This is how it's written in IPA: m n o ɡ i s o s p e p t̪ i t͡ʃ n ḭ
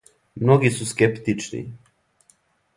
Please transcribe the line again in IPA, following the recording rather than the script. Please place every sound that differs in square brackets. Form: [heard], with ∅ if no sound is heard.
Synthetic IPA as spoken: m n o ɡ i s [u] s [k] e p t̪ i t͡ʃ n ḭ